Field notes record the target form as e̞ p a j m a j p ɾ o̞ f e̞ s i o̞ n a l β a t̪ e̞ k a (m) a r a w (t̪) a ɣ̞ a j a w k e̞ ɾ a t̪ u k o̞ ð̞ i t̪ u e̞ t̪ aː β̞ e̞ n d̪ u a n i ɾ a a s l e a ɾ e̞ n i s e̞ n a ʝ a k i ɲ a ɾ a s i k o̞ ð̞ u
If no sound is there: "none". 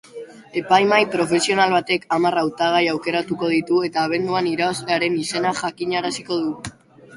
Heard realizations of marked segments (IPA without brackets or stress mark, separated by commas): m, t̪